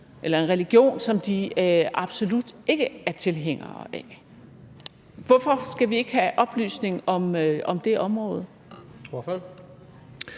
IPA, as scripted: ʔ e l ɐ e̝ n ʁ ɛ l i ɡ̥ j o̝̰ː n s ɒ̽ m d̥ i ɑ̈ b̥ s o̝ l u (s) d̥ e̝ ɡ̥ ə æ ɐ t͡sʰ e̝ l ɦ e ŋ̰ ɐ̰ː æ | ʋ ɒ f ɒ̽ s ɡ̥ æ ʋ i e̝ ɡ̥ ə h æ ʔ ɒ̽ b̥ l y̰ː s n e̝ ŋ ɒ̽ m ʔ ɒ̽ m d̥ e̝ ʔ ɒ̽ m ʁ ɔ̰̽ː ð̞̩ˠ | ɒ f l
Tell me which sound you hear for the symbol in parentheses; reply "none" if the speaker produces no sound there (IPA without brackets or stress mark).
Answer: none